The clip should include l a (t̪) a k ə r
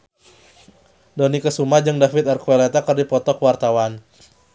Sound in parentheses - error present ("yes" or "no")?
no